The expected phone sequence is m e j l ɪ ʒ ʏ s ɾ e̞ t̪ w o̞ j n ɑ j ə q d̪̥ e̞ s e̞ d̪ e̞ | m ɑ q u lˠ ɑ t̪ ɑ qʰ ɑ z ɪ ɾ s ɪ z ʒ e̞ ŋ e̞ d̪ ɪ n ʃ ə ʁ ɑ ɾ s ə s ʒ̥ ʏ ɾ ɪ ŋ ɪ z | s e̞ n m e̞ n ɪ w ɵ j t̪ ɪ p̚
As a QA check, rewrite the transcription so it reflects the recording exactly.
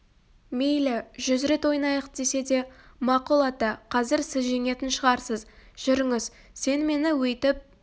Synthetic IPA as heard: m e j l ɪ ʒ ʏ z ɾ e̞ t̪ w o̞ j n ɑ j ə q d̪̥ e̞ s e̞ d̪ e̞ | m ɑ q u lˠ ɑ t̪ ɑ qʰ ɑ z ɪ ɾ s ɪ z ʒ e̞ ŋ e̞ t̪ ɪ n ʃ ə ʁ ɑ ɾ s ə z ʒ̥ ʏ ɾ ɪ ŋ ɪ z | s e̞ n m e̞ n ɪ w ɵ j t̪ ɪ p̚

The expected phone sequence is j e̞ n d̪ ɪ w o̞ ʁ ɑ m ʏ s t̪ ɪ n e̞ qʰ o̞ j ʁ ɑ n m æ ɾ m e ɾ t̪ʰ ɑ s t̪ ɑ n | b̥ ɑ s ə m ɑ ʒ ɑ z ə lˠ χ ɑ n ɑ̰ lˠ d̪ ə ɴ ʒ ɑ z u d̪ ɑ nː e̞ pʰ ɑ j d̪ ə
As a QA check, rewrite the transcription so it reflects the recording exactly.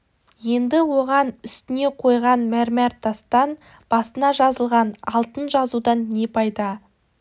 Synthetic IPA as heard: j e̞ n d̪ ɪ w o̞ ʁ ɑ n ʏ s t̪ ɪ n e̞ qʰ o̞ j ʁ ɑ n m æ ɾ m æ ɾ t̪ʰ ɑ s t̪ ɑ n | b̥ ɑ s ə n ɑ ʒ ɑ z ə lˠ ʁ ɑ n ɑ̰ lˠ t̪ ə n ʒ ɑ z u d̪ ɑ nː e̞ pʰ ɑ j d̪ ɑ

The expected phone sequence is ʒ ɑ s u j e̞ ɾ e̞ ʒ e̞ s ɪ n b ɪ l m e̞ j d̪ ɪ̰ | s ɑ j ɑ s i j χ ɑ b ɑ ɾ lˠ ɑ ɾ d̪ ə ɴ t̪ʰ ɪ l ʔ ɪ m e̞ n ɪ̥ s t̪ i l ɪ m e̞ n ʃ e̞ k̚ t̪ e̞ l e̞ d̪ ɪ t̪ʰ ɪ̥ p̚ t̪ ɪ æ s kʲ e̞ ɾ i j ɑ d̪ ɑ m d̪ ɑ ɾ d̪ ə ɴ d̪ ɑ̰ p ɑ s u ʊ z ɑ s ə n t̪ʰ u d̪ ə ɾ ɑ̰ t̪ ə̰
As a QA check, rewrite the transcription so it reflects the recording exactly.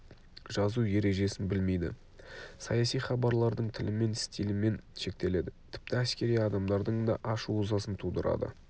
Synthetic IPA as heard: ʒ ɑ z u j e̞ ɾ e̞ ʒ e̞ s ɪ n b ɪ l m e̞ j d̪ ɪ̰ | s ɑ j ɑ s i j χ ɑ b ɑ ɾ lˠ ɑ ɾ d̪ ə ɴ t̪ʰ ɪ l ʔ ɪ m e̞ n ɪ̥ s t̪ i l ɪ m e̞ n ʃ e̞ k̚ t̪ e̞ l e̞ d̪ ɪ t̪ʰ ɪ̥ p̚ t̪ ɪ æ s kʲ e̞ ɾ i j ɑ d̪ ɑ m d̪ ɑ ɾ d̪ ə ɴ d̪ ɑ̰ ʔ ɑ ʃ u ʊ z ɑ s ə n t̪ʰ u d̪ ə ɾ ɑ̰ d̪ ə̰

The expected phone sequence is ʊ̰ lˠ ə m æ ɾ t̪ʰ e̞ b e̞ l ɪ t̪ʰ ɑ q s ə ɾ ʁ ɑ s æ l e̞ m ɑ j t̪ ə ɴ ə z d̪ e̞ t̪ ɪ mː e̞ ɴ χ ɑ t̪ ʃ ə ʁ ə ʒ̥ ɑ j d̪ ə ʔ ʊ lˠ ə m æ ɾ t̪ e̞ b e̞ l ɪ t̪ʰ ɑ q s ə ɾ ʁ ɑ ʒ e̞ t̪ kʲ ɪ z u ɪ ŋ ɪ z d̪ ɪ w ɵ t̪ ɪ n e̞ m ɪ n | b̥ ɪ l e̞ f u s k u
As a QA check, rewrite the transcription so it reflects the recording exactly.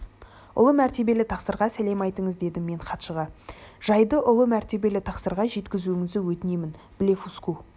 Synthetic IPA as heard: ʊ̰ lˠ ə m æ ɾ t̪ e̞ b e̞ l ɪ t̪ʰ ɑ q s ə ɾ ʁ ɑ s æ l e̞ m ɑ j t̪ ə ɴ ə z d̪ e̞ d̪ ɪ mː e̞ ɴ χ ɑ t̪ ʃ ə ʁ ɑ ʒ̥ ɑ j d̪ ə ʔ ʊ lˠ ə m æ ɾ t̪ e̞ b e̞ l ɪ t̪ʰ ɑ q s ə ɾ ʁ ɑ ʒ e̞ t̪ kʲ ɪ z u ɪ ŋ ɪ z d̪ ɪ w ɵ t̪ ɪ n e̞ m ɪ n | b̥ ɪ l e̞ f u s k u

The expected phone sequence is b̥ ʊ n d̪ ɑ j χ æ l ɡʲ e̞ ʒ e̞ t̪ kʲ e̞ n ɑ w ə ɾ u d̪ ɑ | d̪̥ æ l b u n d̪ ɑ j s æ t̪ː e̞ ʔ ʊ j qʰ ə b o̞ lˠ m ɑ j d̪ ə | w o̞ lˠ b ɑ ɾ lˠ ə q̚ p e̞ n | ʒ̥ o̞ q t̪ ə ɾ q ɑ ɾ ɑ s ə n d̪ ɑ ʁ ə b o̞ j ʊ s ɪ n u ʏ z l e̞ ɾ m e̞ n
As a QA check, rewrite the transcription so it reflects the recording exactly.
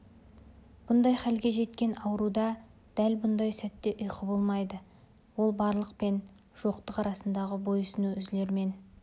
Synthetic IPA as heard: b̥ ʊ n d̪ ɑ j χ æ l ɡʲ e̞ ʒ e̞ t̪ kʲ e̞ n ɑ w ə ɾ u d̪ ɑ | d̪̥ æ l b ʊ n d̪ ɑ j s æ t̪ː e̞ ʔ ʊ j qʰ ə b o̞ lˠ m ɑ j d̪ ə | w o̞ lˠ b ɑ ɾ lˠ ə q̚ p e̞ n | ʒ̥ o̞ q t̪ ə q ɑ ɾ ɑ s ə n d̪ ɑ ʁ ə b o̞ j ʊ s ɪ n u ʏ z l e̞ ɾ m e̞ n

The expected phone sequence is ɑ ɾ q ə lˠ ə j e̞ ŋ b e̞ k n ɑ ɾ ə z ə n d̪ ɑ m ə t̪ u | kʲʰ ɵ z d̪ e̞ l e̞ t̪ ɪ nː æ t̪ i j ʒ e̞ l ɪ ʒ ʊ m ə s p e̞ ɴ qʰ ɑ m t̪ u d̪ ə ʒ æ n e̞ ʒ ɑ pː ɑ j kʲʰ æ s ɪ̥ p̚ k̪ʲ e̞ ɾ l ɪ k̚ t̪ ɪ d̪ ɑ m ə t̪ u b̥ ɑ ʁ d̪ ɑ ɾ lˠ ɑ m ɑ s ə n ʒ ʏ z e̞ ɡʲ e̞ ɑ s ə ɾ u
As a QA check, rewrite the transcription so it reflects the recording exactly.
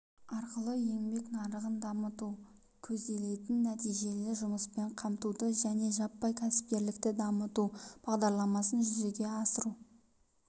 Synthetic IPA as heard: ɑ ɾ q ə lˠ ə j e̞ ŋ b e̞ k n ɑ ɾ ə ʁ ə n d̪ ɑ m ə t̪ u | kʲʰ ɵ z d̪ e̞ l e̞ t̪ ɪ nː æ t̪ i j ʒ e̞ l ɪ ʒ ʊ m ə s p e̞ ɴ qʰ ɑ m t̪ u d̪ ə ʒ æ n e̞ ʒ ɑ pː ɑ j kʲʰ æ s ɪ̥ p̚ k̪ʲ e̞ ɾ l ɪ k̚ t̪ ɪ d̪ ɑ m ə t̪ u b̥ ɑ ʁ d̪ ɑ ɾ lˠ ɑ m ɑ s ə n ʒ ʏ z e̞ ɡʲ e̞ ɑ s ə ɾ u

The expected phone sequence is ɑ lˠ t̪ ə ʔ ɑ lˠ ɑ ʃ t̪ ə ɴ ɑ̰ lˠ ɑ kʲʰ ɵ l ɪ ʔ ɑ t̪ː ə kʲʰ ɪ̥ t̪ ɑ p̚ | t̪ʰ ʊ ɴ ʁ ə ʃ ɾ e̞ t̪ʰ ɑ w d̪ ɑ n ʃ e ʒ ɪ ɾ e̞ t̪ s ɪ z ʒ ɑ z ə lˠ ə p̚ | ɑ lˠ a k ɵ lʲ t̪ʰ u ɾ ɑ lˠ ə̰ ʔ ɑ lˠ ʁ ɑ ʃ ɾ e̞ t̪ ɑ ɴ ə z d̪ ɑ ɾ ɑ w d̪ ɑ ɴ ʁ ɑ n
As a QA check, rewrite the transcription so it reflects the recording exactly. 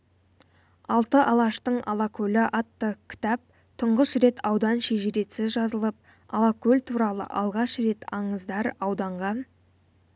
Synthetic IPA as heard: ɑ lˠ t̪ ə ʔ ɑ lˠ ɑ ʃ t̪ ə ɴ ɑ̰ lˠ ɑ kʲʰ ɵ l ɪ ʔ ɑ t̪ː ə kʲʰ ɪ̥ t̪ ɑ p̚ | t̪ʰ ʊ ɴ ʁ ə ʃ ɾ e̞ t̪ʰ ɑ w d̪ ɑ n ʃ e ʒ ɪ ɾ e̞ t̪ s ɪ z ʒ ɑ z ə lˠ ə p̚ | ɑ lˠ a k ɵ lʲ t̪ʰ u ɾ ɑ lˠ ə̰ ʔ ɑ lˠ ʁ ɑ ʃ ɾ e̞ t̪ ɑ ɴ ə z d̪ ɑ ɾ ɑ w d̪ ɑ ɴ ʁ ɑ n

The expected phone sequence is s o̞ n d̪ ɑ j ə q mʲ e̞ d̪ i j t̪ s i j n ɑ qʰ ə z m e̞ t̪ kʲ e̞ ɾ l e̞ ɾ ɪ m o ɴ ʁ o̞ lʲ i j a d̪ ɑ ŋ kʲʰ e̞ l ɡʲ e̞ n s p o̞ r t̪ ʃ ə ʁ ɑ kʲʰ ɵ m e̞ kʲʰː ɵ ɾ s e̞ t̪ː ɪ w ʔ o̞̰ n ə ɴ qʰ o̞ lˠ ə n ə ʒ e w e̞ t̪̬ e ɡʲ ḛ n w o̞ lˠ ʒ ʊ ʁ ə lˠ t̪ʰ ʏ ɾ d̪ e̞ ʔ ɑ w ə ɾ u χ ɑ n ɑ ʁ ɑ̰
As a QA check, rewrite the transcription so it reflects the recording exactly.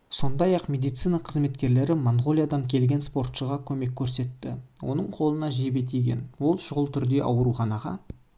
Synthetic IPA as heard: s o̞ n d̪ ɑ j ɑ q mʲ e̞ d̪ i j t̪ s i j n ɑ qʰ ə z m e̞ t̪ kʲ e̞ ɾ l e̞ ɾ ɪ m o ɴ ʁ o̞ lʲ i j a d̪ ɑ ŋ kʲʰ e̞ l ɡʲ e̞ n s p o̞ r t̪ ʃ ə ʁ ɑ kʲʰ ɵ m e̞ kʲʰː ɵ ɾ s e̞ t̪ː ɪ w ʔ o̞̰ n ə ɴ qʰ o̞ lˠ ə n ɑ ʒ e b e̞ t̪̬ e ɡʲ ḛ n w o̞ lˠ ʃ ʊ ʁ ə lˠ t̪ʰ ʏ ɾ d̪ e̞ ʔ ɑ w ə ɾ u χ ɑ n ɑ ʁ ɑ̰

